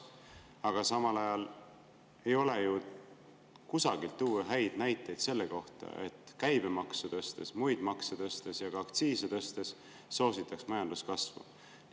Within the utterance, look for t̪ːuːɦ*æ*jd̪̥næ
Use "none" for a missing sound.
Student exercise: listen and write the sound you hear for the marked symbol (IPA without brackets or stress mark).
æ